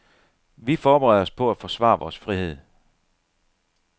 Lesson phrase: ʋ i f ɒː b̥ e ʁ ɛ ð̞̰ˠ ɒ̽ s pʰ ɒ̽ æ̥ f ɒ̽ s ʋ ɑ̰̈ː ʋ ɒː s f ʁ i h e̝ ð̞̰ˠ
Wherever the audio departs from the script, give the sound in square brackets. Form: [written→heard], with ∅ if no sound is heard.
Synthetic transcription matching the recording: ʋ i f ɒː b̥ e ʁ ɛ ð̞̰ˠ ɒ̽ s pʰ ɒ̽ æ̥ f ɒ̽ s ʋ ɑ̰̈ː ʋ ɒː s f ʁ i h e̝ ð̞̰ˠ